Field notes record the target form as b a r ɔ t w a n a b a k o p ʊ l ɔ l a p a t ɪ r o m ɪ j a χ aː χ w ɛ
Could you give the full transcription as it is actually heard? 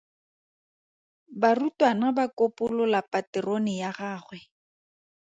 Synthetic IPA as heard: b a r u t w a n a b a k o p ʊ l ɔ l a p a t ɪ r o n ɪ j a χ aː χ w ɛ